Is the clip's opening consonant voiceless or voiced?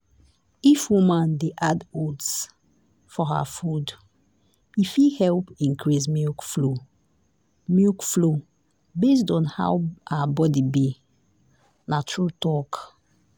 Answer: voiceless